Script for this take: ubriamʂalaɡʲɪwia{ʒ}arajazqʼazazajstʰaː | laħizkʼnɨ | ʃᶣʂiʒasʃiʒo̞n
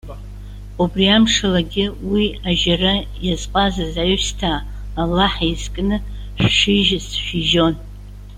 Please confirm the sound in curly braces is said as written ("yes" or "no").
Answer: yes